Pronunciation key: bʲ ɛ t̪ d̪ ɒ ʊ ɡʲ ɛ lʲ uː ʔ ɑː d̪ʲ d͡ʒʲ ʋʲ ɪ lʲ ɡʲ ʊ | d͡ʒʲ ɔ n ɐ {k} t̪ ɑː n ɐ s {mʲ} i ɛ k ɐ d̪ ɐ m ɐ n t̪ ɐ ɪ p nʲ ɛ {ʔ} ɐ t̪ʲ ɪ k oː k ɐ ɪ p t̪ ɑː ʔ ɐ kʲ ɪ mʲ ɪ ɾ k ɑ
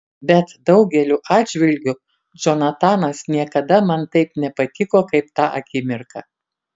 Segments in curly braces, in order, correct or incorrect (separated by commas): incorrect, incorrect, incorrect